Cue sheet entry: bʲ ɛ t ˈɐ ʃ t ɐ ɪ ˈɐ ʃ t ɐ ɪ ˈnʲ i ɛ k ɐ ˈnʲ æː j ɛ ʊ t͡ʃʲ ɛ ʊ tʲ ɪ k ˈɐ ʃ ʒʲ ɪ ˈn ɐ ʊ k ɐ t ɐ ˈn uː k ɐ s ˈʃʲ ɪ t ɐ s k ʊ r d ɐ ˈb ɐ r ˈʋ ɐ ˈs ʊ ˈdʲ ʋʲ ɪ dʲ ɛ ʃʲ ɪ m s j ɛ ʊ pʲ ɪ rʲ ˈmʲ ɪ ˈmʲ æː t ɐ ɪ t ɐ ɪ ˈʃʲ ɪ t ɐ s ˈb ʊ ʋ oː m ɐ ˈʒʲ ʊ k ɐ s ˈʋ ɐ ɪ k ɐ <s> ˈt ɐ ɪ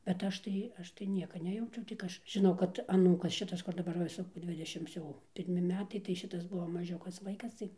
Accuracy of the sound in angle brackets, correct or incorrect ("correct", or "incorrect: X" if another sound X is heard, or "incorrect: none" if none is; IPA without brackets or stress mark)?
correct